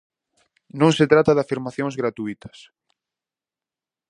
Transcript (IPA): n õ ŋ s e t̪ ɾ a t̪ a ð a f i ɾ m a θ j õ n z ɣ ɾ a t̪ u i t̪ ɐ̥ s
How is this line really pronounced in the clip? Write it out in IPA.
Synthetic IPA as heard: n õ ŋ s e t̪ ɾ a t̪ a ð a f i ɾ m a θ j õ ŋ z ɣ ɾ a t̪ u i t̪ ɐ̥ s

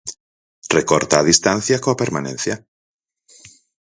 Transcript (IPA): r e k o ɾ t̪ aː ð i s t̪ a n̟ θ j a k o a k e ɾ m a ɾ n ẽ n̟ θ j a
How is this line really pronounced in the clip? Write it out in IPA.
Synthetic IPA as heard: r e k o ɾ t̪ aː ð i s t̪ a n̟ θ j a k o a p e ɾ m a n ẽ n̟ θ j a

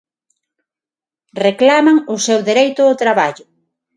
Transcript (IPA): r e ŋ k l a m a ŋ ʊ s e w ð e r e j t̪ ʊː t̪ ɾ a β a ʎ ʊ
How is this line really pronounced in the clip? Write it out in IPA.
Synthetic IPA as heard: r e k l a m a ŋ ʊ s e w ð e ɾ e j t̪ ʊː t̪ ɾ a β a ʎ ʊ

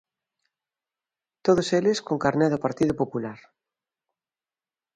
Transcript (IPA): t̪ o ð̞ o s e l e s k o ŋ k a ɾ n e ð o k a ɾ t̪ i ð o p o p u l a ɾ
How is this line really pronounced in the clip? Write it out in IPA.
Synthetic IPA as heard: t̪ o ð̞ o s e l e s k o ŋ k a ɾ n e ð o p a ɾ t̪ i ð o p o p u l a ɾ

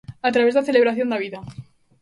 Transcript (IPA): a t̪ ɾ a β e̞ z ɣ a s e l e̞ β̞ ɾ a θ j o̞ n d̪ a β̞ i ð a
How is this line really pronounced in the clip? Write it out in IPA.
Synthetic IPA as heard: a t̪ ɾ a β e̞ z ð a θ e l e̞ β̞ ɾ a θ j o̞ n d̪ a β̞ i ð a

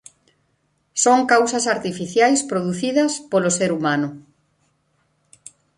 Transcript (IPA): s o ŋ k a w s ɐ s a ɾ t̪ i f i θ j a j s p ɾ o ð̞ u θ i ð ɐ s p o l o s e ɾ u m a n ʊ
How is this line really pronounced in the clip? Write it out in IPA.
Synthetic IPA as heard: s o ŋ k a w s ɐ s a ɾ t̪ i f i θ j a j s p ɾ o ð̞ u θ i ð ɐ s p o l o s e ɾ u m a n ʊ

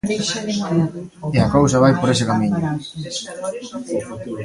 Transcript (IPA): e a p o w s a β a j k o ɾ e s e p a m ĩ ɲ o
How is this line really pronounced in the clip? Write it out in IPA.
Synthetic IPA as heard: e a k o w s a β a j p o ɾ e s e k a m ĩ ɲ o

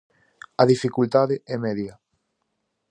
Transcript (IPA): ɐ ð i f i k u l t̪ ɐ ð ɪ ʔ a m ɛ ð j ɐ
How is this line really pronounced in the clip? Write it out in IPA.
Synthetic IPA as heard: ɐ ð i f i k u l t̪ a ð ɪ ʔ ɛ m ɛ ð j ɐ

